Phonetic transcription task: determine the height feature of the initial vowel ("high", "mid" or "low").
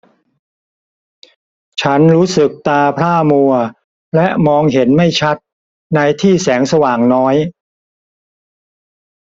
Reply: low